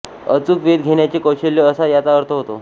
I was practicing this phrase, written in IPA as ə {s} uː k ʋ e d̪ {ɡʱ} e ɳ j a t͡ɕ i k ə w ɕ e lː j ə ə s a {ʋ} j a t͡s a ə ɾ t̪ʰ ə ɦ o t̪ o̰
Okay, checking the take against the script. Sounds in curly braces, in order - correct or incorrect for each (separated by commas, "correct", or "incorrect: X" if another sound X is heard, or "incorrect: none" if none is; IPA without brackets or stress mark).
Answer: incorrect: t͡s, correct, incorrect: none